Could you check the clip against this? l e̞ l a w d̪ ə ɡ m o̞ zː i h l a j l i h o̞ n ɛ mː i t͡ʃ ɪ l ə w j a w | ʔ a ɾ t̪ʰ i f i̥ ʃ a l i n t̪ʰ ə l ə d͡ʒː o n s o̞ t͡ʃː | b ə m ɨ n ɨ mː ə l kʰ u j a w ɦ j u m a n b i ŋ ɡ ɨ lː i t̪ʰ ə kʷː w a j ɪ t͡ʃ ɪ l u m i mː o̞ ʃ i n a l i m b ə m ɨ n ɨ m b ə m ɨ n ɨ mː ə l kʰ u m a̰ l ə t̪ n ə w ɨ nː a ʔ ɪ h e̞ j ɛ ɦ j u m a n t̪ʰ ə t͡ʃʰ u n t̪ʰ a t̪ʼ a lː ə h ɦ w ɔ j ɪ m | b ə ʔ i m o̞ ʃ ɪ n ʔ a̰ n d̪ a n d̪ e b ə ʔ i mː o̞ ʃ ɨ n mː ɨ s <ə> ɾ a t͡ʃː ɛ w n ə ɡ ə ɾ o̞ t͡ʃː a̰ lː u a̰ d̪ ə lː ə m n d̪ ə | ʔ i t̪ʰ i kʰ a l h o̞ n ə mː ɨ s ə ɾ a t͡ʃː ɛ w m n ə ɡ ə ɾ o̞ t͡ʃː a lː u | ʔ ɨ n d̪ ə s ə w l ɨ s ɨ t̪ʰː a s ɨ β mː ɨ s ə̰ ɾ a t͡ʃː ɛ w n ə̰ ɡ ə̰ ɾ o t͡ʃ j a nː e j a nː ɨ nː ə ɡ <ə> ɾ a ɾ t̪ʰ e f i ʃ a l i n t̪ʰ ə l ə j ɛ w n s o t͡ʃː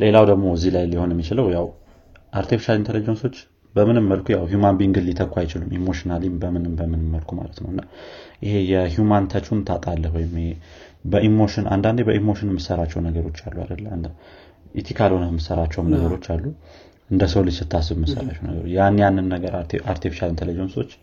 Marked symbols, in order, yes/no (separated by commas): yes, yes